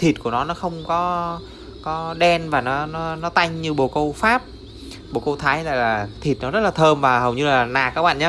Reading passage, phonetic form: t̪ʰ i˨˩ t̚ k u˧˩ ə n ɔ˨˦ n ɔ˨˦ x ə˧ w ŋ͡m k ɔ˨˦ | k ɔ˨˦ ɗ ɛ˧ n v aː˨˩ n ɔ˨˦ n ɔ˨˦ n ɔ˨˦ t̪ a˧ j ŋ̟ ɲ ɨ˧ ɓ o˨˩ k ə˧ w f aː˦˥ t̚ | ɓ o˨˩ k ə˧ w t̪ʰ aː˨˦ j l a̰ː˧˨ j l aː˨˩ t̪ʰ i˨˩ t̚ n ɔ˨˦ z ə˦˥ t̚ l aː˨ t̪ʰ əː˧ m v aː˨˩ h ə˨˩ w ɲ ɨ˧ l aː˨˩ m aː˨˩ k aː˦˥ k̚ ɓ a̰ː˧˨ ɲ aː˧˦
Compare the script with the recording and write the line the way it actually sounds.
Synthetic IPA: t̪ʰ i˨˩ t̚ k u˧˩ ə n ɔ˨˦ n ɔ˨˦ x ə˧ w ŋ͡m k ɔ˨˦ | k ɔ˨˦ ɗ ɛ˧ n v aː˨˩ n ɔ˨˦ n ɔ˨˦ n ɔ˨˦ t̪ a˧ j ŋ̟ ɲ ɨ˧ ɓ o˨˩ k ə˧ w f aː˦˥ p̚ | ɓ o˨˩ k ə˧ w t̪ʰ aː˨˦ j l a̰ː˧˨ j l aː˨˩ t̪ʰ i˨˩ t̚ n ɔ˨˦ z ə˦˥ t̚ l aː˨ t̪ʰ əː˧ m v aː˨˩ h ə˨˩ w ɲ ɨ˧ l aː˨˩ n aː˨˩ k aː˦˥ k̚ ɓ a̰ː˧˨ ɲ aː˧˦